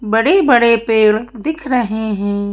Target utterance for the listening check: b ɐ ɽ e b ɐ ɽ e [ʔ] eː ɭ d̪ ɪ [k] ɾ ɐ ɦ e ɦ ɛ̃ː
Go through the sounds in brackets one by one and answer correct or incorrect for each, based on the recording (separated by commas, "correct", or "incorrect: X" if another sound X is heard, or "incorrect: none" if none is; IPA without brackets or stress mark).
incorrect: p, incorrect: kʰ